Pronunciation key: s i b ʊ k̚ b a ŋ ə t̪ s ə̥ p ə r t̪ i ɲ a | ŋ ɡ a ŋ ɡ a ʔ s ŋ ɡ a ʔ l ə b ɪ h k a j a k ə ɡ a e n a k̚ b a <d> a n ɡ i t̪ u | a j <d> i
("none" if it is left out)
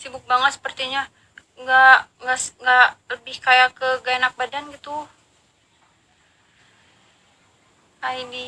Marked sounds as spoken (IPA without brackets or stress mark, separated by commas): d, d